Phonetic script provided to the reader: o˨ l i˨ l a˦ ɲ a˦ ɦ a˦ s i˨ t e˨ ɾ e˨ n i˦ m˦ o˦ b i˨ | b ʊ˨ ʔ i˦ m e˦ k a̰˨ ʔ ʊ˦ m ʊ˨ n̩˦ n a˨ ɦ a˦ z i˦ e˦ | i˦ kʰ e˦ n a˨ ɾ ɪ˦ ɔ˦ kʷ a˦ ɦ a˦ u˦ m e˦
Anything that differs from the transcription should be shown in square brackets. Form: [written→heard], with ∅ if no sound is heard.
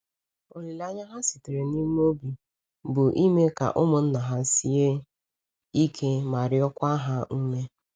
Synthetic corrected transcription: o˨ l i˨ l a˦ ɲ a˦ ɦ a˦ s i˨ t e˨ ɾ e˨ n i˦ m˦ o˦ b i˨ | b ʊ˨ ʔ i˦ m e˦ k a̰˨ ʔ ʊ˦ m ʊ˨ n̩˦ n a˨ ɦ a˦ [z→s] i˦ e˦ | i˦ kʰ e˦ [n→m] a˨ ɾ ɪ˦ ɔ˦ kʷ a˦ ɦ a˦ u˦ m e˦